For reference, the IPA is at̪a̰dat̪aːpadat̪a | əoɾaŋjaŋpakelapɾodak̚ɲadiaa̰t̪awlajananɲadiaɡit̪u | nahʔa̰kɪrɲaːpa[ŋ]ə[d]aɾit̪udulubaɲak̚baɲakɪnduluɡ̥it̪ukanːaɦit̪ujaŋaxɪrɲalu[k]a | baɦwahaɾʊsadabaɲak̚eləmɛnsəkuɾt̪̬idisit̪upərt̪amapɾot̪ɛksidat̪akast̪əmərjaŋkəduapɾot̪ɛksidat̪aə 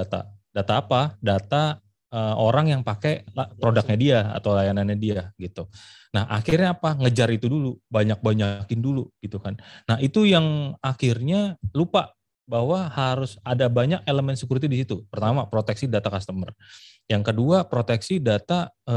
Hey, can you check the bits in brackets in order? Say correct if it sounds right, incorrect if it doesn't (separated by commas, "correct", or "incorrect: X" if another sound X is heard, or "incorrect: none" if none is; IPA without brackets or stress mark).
correct, incorrect: d͡ʒ, incorrect: p